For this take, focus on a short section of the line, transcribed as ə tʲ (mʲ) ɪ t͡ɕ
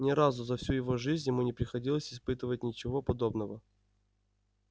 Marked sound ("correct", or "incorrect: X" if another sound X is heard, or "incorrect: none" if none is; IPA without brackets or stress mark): incorrect: nʲ